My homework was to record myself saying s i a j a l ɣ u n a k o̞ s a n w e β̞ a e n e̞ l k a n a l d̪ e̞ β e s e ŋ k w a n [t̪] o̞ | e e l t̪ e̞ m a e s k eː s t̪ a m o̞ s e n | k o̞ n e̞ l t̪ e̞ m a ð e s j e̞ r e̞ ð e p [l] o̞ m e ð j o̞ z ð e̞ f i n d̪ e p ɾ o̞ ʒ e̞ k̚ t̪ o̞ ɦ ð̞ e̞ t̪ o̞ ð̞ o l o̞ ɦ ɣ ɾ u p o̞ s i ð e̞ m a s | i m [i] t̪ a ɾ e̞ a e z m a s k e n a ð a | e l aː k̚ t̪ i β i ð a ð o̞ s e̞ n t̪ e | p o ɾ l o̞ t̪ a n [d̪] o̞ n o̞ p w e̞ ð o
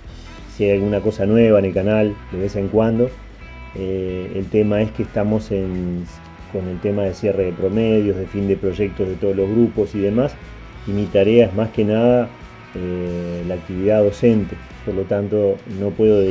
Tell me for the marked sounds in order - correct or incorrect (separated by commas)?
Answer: incorrect, incorrect, correct, incorrect